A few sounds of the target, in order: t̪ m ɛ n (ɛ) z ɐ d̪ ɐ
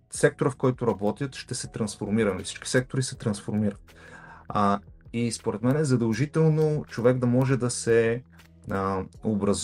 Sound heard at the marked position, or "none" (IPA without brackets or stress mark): ɛ